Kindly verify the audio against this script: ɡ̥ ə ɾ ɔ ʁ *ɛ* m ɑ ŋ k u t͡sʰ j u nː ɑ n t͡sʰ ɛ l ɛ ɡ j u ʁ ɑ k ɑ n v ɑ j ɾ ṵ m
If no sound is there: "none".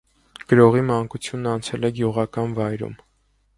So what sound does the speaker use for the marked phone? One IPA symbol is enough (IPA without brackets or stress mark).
i